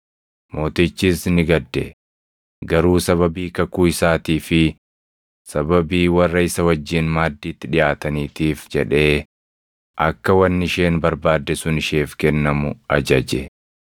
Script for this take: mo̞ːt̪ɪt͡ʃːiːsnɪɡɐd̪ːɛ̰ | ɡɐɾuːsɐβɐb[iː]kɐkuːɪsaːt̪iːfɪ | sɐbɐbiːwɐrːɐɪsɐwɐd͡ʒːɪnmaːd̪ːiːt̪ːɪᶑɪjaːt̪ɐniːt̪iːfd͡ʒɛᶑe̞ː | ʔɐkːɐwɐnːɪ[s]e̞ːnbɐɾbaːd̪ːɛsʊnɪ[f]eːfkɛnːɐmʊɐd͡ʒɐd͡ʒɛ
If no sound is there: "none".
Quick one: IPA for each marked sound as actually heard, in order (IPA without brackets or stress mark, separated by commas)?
iː, ʃ, ʃ